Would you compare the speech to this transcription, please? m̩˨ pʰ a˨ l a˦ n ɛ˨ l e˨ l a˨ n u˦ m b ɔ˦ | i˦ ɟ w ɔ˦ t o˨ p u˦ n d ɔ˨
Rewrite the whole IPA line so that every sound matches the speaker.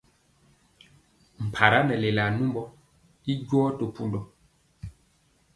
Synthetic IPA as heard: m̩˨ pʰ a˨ ɾ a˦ n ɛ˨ l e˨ l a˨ n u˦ m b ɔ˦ | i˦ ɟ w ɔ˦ t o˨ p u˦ n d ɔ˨